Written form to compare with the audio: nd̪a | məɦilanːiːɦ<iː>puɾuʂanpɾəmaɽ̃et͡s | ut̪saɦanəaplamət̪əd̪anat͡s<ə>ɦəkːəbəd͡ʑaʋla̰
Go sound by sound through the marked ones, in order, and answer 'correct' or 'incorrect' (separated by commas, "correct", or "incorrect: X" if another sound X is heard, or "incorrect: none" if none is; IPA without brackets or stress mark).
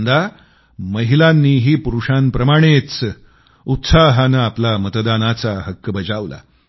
correct, incorrect: a